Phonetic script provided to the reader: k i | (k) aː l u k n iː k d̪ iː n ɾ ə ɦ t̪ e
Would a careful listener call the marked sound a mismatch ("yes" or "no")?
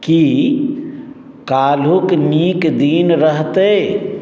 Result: no